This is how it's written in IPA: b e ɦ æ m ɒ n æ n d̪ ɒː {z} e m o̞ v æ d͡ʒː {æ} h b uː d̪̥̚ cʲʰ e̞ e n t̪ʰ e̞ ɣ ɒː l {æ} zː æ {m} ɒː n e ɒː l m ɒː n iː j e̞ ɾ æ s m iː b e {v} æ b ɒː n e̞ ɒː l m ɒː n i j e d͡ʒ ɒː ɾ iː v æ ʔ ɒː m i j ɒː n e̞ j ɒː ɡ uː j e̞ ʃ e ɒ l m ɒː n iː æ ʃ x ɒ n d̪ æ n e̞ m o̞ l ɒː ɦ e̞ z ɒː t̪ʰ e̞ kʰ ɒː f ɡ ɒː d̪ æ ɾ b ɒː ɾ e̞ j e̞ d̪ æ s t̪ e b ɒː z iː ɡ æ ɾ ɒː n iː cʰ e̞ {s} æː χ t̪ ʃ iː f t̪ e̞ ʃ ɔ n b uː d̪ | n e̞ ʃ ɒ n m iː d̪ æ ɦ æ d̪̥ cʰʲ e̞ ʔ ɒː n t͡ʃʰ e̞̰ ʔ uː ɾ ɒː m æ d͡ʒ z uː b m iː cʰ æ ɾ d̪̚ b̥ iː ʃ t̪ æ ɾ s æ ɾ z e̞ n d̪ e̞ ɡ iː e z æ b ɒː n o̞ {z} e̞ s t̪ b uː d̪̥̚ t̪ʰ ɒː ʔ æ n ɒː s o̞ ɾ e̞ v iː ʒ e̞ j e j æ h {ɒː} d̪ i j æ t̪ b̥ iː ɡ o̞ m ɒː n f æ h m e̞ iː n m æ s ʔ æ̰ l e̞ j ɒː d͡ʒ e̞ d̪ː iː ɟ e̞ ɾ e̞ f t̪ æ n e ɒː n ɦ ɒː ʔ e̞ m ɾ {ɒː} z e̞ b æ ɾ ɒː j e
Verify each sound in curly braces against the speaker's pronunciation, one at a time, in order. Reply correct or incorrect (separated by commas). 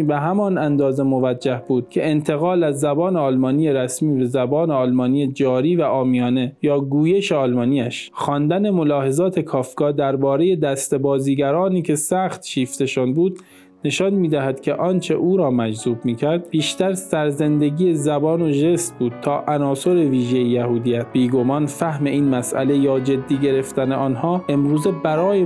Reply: correct, correct, correct, incorrect, incorrect, correct, incorrect, incorrect, incorrect